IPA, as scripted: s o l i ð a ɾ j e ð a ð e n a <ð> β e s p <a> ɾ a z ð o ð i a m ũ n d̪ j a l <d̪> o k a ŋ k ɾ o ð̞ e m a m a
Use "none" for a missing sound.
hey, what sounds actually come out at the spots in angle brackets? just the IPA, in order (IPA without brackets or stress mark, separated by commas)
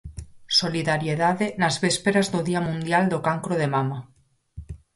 z, e, d̪